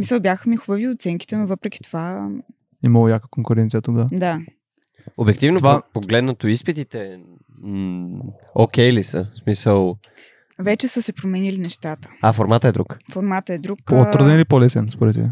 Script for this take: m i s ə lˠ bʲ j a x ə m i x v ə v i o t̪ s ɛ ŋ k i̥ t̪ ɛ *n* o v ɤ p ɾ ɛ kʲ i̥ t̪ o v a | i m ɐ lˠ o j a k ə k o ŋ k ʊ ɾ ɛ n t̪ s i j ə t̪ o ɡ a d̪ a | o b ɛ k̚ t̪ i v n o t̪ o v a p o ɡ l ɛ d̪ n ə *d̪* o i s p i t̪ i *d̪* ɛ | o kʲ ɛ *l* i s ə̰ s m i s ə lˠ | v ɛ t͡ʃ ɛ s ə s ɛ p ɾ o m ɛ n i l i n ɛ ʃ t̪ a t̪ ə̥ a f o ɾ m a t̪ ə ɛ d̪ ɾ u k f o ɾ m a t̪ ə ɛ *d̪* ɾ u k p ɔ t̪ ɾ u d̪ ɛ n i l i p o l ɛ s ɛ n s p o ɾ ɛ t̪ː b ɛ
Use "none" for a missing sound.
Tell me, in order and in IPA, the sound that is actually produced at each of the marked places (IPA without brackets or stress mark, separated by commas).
n, t̪, t̪, l, d̪